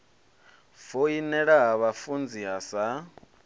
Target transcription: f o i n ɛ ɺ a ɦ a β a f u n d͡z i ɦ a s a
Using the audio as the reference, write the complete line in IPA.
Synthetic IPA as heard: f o i n ɛ ɺ a ɦ a β a f u n d͡z i ɦ a s a